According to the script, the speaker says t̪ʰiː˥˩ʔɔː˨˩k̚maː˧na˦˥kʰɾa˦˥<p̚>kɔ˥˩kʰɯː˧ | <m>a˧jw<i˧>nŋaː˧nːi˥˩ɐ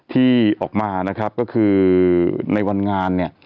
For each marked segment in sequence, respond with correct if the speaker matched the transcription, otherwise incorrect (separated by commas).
correct, incorrect, incorrect